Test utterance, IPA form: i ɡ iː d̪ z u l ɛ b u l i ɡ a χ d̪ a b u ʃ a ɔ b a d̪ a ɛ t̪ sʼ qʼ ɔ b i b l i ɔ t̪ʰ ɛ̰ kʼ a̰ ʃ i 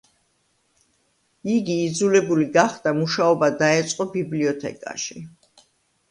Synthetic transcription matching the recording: i ɡ iː d̪ z u l ɛ b u l i ɡ a χ d̪ a m u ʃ a ɔ b a d̪ a ɛ t̪ sʼ qʼ ɔ b i b l i ɔ t̪ʰ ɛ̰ kʼ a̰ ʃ i